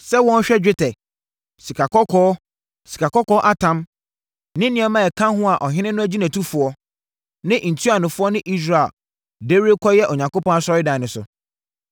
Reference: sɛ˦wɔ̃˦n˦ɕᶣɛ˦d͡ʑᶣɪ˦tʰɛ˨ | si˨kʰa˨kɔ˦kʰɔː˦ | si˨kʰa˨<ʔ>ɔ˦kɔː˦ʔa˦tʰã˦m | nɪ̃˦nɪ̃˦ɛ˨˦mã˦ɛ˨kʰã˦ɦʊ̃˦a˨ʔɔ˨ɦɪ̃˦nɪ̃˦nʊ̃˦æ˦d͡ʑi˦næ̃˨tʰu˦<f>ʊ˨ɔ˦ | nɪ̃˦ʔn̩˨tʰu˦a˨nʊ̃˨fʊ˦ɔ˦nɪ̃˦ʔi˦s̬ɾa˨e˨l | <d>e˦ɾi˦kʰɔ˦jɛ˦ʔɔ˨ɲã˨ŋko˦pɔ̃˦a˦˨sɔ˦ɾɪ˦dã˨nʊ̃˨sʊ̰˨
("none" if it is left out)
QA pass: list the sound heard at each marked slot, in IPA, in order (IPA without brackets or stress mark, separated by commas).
k, f, d